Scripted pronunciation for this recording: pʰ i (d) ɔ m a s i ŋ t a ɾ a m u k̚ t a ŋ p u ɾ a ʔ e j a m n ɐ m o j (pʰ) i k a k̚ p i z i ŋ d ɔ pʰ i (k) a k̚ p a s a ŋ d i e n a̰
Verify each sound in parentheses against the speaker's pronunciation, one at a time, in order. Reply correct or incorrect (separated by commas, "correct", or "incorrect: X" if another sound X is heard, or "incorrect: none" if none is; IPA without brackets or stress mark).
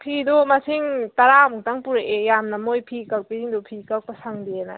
correct, correct, correct